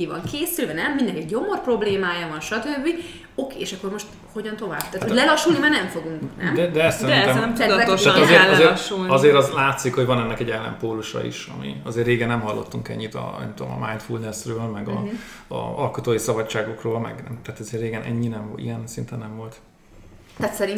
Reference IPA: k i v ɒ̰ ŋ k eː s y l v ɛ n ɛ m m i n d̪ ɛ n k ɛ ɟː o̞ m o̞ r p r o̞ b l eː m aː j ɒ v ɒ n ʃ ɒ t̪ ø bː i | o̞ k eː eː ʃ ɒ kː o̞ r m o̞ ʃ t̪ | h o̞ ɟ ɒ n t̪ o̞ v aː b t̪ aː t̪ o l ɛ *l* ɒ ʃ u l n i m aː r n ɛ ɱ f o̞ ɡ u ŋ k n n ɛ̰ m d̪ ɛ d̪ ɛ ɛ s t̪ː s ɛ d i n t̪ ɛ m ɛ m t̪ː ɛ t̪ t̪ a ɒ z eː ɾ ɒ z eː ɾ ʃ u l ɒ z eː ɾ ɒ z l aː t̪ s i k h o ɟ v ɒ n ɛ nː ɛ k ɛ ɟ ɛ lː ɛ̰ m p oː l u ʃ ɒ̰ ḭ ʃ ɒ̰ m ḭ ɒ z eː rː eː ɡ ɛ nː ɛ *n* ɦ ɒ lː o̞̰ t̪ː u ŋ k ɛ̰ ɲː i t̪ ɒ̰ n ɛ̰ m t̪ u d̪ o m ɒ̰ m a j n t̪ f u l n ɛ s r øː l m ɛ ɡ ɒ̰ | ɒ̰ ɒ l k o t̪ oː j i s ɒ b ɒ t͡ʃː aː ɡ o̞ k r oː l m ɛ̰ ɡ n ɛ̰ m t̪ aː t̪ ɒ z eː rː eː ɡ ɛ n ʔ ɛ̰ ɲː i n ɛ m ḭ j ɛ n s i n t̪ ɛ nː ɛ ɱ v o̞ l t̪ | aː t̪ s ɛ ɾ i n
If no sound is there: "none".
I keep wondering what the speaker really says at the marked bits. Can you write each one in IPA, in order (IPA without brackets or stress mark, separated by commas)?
l, m